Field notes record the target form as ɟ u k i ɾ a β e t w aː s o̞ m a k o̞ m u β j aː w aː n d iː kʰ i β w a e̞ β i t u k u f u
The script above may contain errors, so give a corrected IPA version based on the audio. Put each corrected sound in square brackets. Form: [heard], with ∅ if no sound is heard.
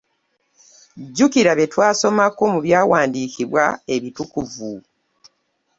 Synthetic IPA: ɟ u k i ɾ a β e t w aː s o̞ m a k o̞ m u β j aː w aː n d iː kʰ i β w a e̞ β i t u k u [v] u